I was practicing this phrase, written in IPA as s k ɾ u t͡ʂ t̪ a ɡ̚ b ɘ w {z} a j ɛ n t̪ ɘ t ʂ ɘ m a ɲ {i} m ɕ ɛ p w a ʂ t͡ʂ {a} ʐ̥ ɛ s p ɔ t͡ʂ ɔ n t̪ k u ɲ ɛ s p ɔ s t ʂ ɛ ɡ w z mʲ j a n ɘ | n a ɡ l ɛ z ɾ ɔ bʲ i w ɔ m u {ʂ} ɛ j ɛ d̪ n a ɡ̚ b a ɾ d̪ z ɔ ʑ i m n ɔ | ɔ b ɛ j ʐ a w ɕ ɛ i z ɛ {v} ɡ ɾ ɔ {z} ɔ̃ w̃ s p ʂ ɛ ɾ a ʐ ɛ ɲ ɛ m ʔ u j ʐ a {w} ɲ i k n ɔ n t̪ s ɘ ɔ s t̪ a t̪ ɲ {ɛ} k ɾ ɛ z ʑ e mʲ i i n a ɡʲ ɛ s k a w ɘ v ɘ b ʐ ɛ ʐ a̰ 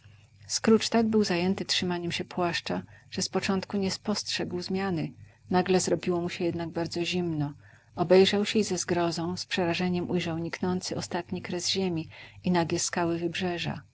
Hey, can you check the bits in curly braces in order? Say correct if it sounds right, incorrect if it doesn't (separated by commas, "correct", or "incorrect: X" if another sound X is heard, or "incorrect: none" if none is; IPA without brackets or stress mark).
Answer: correct, incorrect: ɛ, correct, incorrect: ɕ, incorrect: z, correct, correct, incorrect: i